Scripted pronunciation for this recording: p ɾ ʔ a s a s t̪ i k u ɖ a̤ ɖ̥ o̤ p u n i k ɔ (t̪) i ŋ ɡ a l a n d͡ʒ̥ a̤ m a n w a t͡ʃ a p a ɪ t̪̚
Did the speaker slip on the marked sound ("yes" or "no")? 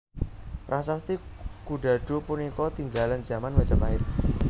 no